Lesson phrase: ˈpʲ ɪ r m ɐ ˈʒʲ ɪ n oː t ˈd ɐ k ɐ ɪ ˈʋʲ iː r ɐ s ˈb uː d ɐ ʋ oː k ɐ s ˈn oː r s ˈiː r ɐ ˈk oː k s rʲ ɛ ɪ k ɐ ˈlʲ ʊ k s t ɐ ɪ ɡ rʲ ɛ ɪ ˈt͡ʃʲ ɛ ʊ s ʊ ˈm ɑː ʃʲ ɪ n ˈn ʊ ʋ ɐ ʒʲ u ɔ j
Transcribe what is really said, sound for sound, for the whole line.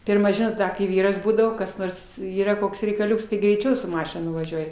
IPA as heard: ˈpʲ ɪ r m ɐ ˈʒʲ ɪ n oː t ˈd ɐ k ɐ ɪ ˈʋʲ iː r ɐ s ˈb uː d ɐ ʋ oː k ɐ s ˈn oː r s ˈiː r ɐ ˈk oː k s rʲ ɛ ɪ k ɐ ˈlʲ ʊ k s t ɐ ɪ ɡ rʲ ɛ ɪ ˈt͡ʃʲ ɛ ʊ s ʊ ˈm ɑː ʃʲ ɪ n ˈn ʊ ʋ ɐ ʒʲ u ɔ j